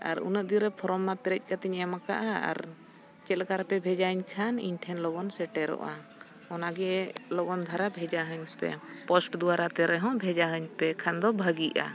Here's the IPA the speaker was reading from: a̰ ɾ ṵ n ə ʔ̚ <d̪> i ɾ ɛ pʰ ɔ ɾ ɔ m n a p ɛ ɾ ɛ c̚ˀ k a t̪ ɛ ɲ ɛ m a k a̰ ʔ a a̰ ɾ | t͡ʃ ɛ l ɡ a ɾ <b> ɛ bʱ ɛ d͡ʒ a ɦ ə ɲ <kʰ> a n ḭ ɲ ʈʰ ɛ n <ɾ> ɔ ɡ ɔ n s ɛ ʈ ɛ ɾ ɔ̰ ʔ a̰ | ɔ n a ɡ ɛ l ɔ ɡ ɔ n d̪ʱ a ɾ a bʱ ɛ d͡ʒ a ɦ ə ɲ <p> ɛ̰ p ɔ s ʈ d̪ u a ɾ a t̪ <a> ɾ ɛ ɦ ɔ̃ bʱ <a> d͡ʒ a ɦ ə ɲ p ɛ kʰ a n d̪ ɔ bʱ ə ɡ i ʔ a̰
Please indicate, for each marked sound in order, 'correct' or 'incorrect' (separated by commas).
correct, incorrect, correct, incorrect, correct, incorrect, incorrect